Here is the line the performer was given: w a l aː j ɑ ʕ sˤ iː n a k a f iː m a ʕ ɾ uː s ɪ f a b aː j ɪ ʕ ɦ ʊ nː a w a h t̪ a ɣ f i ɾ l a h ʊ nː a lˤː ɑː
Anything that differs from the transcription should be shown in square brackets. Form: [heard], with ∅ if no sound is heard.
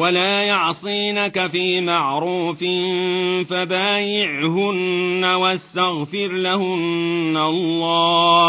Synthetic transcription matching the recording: w a l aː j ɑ ʕ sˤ iː n a k a f iː m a ʕ ɾ uː [f] ɪ f a b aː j ɪ ʕ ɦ ʊ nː a w a [s] t̪ a ɣ f [ɪ] ɾ l a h ʊ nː a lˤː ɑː